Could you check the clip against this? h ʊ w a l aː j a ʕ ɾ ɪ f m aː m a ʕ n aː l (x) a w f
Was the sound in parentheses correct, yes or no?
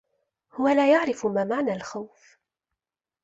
yes